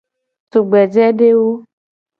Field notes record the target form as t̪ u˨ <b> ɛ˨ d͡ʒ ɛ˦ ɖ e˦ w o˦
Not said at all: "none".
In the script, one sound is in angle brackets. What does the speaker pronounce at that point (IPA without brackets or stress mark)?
ɡ͡b